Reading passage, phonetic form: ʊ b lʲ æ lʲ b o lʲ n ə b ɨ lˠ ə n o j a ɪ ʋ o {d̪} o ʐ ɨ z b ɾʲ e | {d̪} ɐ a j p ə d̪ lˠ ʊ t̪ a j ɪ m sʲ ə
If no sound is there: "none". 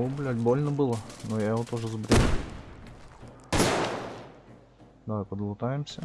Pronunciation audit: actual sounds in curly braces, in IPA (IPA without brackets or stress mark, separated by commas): t̪, d̪